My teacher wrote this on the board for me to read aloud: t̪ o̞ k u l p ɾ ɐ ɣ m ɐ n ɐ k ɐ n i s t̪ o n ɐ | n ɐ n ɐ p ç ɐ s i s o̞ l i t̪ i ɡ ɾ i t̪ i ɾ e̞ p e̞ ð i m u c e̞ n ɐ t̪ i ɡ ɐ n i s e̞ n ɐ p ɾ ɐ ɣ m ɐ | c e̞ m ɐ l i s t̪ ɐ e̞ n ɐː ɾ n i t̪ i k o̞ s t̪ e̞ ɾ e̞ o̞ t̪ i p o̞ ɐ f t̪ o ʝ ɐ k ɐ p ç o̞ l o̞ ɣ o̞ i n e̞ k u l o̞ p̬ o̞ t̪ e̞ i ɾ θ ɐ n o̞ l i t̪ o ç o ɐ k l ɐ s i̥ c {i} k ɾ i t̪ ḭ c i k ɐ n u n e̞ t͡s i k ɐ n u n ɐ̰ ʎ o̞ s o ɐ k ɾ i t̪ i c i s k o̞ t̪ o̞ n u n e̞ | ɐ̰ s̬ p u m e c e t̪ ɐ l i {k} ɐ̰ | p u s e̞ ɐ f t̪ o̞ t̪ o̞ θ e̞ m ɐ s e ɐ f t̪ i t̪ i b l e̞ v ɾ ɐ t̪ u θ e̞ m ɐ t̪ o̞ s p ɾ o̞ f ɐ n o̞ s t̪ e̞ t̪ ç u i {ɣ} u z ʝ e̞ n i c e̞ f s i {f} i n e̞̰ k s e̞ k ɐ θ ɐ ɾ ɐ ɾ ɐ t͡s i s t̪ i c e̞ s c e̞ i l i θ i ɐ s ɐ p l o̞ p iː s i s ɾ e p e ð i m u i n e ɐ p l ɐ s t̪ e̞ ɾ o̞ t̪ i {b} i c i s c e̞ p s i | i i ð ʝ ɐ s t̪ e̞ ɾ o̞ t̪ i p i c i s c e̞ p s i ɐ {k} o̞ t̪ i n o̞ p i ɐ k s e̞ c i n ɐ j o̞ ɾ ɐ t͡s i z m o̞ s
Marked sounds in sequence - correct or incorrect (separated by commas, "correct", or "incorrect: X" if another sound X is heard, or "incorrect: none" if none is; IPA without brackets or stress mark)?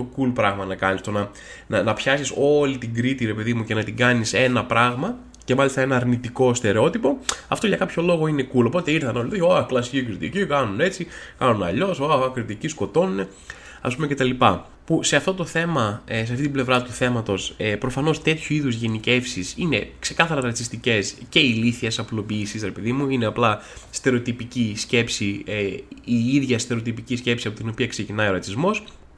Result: correct, incorrect: p, incorrect: ð, incorrect: s, incorrect: p, incorrect: p